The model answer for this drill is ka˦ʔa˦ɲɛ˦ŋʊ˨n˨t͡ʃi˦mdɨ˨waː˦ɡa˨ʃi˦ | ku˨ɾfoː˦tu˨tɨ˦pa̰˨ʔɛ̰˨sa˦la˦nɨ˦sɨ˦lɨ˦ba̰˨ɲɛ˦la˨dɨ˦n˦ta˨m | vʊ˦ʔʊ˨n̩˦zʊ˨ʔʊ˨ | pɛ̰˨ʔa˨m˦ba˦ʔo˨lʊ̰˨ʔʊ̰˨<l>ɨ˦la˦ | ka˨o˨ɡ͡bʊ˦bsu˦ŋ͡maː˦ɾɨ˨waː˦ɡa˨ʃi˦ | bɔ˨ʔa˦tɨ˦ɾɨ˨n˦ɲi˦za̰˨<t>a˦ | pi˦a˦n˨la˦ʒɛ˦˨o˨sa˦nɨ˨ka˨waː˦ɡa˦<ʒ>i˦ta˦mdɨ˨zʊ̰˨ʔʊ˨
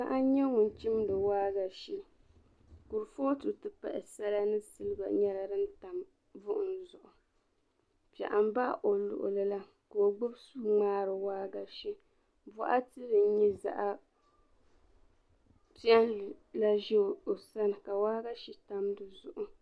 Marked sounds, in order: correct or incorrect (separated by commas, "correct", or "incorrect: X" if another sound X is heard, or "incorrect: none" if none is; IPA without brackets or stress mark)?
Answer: correct, incorrect: ʔ, incorrect: ʃ